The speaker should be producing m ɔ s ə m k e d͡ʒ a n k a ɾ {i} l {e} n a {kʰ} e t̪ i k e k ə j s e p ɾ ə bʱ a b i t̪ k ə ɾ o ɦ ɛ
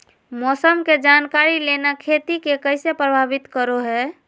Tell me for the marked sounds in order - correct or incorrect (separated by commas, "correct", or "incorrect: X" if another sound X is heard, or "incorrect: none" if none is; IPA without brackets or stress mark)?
correct, correct, correct